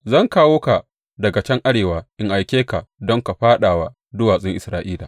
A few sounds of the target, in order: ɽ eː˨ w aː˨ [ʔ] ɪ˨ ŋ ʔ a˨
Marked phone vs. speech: correct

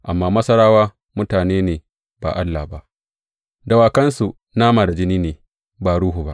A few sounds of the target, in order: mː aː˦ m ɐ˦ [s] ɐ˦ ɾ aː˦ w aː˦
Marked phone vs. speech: correct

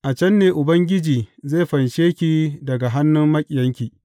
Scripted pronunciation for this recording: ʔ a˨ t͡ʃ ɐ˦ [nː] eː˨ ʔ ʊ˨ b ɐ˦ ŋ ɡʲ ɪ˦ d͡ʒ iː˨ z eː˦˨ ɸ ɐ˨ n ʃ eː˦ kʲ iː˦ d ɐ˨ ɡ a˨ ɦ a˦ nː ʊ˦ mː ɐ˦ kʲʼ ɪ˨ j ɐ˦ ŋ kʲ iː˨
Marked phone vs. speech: correct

